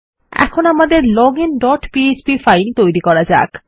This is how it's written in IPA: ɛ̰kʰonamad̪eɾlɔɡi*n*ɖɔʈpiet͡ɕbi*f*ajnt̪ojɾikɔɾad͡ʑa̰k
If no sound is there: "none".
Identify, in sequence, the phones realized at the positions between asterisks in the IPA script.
n, f

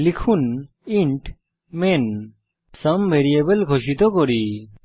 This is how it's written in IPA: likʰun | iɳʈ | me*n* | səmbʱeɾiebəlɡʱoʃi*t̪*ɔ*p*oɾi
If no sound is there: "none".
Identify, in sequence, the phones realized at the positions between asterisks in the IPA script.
n, t̪, k

